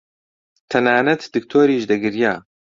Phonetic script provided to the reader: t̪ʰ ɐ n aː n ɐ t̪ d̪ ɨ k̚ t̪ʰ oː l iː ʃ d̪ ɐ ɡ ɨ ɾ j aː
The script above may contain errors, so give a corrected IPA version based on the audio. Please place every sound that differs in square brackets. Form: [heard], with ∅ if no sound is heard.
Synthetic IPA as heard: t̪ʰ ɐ n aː n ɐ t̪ d̪ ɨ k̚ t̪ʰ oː [ɾ] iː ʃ d̪ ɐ ɡ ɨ ɾ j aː